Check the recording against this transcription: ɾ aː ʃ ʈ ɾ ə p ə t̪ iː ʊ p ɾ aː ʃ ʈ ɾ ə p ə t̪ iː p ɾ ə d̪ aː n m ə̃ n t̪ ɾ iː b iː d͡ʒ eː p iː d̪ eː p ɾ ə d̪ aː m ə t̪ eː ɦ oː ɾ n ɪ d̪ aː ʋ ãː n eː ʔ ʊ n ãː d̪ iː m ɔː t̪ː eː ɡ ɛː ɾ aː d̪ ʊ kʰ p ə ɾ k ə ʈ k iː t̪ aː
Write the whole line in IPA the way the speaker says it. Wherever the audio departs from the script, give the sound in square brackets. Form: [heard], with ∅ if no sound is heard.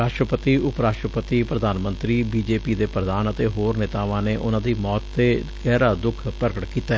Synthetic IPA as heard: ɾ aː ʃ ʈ ɾ ə p ə t̪ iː ʊ p ɾ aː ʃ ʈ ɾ ə p ə t̪ iː p ɾ ə d̪ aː n m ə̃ n t̪ ɾ iː b iː d͡ʒ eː p iː d̪ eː p ɾ ə d̪ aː [n] ə t̪ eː ɦ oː ɾ n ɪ [t̪] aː ʋ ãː n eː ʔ ʊ n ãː d̪ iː m ɔː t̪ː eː ɡ ɛː ɾ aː d̪ ʊ kʰ p ə ɾ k ə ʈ k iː t̪ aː

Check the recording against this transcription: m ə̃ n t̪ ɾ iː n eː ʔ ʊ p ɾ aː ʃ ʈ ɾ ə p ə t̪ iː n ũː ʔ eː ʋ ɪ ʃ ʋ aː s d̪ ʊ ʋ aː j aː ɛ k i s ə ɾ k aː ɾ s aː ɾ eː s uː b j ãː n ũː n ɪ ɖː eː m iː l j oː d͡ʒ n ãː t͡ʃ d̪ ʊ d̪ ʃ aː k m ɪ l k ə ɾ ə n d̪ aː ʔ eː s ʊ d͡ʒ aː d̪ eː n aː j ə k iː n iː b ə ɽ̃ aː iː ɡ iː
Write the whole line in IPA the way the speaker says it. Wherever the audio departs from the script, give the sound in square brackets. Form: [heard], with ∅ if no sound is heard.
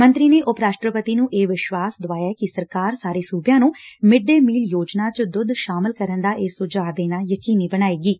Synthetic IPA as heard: m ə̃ n t̪ ɾ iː n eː ʔ ʊ p ɾ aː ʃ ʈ ɾ ə p ə t̪ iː n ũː ʔ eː ʋ ɪ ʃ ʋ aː s d̪ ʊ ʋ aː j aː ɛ k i s ə ɾ k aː ɾ s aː ɾ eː s uː b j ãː n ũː [m] ɪ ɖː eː m iː l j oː d͡ʒ n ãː t͡ʃ d̪ ʊ d̪ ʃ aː [∅] m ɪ l k ə ɾ ə n d̪ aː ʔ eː s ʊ d͡ʒ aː d̪ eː n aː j ə k iː n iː b ə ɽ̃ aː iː ɡ iː

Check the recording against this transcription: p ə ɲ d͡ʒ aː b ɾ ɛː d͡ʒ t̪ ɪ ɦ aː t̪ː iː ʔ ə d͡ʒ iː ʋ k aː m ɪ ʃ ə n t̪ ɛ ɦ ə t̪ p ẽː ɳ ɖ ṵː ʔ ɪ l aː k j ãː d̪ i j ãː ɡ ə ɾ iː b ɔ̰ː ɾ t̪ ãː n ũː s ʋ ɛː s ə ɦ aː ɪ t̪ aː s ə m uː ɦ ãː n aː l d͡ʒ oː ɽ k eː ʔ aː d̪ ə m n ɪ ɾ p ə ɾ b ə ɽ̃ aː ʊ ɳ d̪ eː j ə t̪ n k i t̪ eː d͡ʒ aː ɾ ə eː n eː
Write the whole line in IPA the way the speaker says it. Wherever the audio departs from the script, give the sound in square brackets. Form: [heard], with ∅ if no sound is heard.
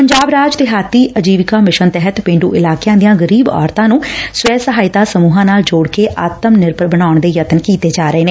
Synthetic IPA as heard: p ə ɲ d͡ʒ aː b ɾ [aː] d͡ʒ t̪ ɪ ɦ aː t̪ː iː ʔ ə d͡ʒ iː ʋ k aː m ɪ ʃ ə n t̪ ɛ ɦ ə t̪ p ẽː ɳ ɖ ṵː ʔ ɪ l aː k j ãː d̪ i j ãː ɡ ə ɾ iː b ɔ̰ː ɾ t̪ ãː n ũː s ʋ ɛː s ə ɦ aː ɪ t̪ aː s ə m uː ɦ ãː n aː l d͡ʒ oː ɽ k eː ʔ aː [t̪] ə m n ɪ ɾ p ə ɾ b ə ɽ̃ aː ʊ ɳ d̪ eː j ə t̪ n k [iː] t̪ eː d͡ʒ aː ɾ ə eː n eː

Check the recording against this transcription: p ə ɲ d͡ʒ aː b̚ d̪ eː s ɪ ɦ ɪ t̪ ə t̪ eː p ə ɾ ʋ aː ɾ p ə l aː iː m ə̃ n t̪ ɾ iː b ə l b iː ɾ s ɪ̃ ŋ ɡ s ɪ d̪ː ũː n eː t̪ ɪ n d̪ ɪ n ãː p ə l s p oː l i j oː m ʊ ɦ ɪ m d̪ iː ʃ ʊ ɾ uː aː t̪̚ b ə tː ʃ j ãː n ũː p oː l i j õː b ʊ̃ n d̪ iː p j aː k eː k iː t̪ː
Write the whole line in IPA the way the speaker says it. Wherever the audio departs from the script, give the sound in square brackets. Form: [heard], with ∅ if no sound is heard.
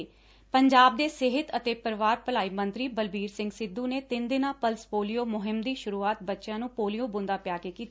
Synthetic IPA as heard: p ə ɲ d͡ʒ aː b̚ d̪ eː s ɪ ɦ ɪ t̪ ə t̪ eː p ə ɾ ʋ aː ɾ p ə l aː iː m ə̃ n t̪ ɾ iː b ə l b iː ɾ s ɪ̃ ŋ ɡ s ɪ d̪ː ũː n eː t̪ ɪ n d̪ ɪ n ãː p ə l s p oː l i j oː m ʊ ɦ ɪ m d̪ iː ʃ ʊ ɾ uː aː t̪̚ b ə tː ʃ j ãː n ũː p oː l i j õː b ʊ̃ n d̪ [aː] p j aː k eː k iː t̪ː

